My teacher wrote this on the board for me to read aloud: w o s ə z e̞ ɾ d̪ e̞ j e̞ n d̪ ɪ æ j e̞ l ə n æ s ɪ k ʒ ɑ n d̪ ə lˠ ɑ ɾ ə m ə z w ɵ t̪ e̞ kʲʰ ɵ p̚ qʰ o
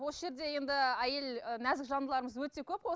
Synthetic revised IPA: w o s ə ʒ e̞ ɾ d̪ e̞ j e̞ n d̪ ɪ æ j e̞ l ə n æ z ɪ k ʒ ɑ n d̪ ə lˠ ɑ ɾ ə m ə z w ɵ t̪ e̞ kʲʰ ɵ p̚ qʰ o